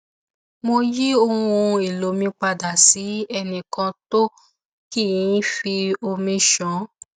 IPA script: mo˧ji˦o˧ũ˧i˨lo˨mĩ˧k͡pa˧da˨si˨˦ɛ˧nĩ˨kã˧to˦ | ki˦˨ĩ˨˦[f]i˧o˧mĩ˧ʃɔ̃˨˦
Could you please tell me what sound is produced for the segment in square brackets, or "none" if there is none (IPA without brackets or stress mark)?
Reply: f